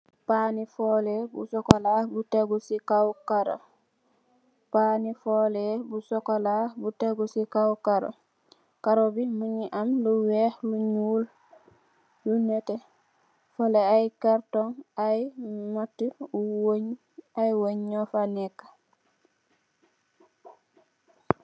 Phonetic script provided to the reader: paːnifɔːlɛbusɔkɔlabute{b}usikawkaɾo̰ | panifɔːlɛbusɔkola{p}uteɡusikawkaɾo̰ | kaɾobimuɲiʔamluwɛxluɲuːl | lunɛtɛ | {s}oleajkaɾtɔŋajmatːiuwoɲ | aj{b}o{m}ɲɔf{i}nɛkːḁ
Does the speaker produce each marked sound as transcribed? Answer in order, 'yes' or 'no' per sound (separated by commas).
no, no, no, no, no, no